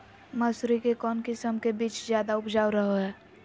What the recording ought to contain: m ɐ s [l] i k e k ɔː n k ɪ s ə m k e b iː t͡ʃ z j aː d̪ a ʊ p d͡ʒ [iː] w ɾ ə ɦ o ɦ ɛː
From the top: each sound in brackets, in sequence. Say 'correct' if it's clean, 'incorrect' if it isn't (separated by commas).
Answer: incorrect, incorrect